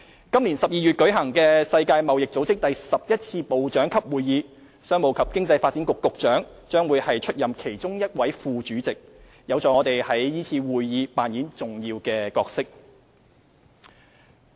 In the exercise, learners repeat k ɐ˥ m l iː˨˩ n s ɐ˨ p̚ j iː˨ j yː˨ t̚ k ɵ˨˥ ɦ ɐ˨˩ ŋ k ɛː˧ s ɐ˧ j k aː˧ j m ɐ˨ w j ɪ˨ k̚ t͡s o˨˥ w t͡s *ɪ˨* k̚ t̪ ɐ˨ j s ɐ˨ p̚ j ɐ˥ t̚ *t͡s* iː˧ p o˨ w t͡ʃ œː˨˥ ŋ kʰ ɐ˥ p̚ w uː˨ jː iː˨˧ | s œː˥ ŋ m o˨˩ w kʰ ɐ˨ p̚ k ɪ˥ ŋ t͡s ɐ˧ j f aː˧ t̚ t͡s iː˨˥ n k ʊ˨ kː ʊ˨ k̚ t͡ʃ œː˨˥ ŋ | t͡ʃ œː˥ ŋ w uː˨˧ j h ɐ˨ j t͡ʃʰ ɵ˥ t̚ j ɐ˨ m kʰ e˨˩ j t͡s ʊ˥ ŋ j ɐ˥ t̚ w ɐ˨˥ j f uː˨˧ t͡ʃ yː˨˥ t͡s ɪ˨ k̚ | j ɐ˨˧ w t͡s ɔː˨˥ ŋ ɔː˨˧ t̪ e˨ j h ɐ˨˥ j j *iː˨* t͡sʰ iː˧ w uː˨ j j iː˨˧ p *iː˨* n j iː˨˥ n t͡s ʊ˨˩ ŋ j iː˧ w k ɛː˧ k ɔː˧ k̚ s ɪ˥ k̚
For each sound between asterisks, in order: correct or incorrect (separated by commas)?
incorrect, incorrect, incorrect, incorrect